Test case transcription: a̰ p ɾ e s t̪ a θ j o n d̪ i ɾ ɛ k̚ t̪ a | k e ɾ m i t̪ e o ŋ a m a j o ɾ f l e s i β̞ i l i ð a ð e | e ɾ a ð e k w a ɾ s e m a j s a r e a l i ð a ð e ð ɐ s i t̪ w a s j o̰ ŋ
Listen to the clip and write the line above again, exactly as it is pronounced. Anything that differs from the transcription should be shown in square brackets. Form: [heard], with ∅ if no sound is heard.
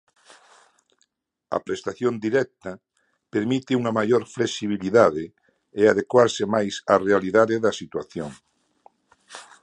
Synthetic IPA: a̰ p ɾ e s t̪ a θ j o n d̪ i ɾ ɛ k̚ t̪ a | [p] e ɾ m i t̪ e [u] ŋ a m a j o ɾ f l e s i β̞ i l i ð a ð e | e [∅] a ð e k w a ɾ s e m a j s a r e a l i ð a ð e ð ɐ s i t̪ w a [θ] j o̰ ŋ